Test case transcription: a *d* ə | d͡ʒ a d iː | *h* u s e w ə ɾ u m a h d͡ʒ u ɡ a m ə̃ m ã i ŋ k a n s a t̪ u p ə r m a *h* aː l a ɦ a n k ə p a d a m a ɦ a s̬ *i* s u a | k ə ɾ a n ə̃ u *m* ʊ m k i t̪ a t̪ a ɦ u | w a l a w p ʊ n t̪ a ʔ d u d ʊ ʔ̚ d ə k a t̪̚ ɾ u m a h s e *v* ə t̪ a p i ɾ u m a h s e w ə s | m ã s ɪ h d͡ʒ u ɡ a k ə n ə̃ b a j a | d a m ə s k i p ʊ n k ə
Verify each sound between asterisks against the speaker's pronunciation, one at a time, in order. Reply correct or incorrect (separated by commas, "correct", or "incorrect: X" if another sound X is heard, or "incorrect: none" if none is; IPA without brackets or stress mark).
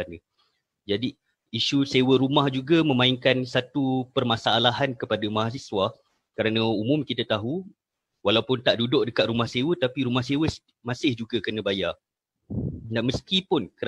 incorrect: n, incorrect: ʃ, incorrect: s, correct, correct, incorrect: w